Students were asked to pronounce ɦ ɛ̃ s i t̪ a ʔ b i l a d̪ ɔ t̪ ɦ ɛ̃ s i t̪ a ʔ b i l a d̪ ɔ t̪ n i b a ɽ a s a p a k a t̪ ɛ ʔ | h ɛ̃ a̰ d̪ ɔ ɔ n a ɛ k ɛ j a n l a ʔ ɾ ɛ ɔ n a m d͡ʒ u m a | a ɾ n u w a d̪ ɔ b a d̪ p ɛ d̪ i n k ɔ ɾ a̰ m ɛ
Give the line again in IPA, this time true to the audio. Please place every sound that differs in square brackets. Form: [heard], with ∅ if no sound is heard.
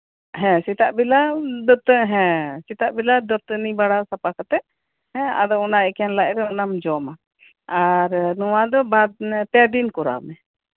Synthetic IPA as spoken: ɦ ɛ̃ s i t̪ a ʔ b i l a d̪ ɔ t̪ ɦ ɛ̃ s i t̪ a ʔ b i l a d̪ ɔ t̪ n i b a ɽ a s a p a k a t̪ ɛ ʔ | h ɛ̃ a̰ d̪ ɔ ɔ n a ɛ k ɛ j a n l a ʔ ɾ ɛ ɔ n a m d͡ʒ [ɔ] m a | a ɾ n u w a d̪ ɔ b a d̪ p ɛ d̪ i n k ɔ ɾ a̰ m ɛ